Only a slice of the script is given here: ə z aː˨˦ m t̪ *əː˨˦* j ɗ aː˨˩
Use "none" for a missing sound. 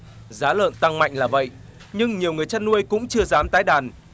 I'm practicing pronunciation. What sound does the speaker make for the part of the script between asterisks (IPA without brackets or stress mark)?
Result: aː˨˦